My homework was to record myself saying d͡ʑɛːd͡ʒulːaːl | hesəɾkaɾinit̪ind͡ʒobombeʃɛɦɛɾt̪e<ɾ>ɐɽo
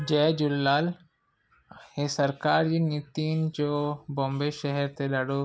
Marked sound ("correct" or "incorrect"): incorrect